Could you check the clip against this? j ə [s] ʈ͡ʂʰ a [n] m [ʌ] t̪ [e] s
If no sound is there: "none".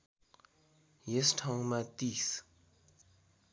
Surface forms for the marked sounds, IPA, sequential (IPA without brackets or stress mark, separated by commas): s, ŋ, a, i